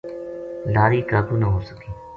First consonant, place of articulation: alveolar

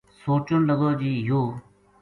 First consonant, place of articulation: alveolar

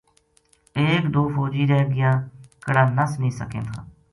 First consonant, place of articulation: velar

